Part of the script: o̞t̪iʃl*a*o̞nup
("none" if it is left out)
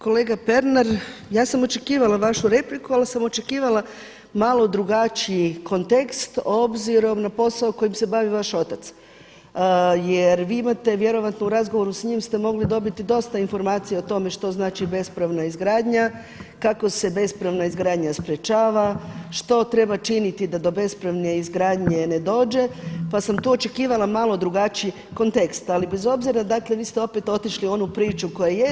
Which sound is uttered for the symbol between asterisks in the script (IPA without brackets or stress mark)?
i